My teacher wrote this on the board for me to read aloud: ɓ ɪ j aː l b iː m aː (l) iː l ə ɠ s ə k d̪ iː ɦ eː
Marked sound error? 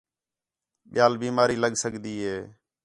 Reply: yes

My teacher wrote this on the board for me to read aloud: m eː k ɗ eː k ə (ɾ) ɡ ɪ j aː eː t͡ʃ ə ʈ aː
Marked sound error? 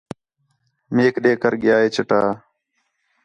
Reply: no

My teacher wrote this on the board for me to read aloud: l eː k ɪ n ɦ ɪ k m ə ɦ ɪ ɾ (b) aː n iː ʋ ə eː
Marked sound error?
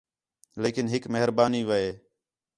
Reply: no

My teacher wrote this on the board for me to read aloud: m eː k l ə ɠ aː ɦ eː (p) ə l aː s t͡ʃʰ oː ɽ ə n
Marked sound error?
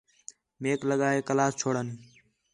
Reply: yes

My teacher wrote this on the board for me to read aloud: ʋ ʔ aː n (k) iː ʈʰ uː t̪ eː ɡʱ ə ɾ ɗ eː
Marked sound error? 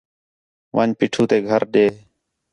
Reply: yes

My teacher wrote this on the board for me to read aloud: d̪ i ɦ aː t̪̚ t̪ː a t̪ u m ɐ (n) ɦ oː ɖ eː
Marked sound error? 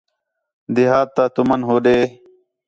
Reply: no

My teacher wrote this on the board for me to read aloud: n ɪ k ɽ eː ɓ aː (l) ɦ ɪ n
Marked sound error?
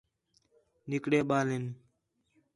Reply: no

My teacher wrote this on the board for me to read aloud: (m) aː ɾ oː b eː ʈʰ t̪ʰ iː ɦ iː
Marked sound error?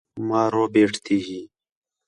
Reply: no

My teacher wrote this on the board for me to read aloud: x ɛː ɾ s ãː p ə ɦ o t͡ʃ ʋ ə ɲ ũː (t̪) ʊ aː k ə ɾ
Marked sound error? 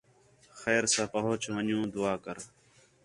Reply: yes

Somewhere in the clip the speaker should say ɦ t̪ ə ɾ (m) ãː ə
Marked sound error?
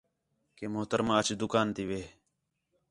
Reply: no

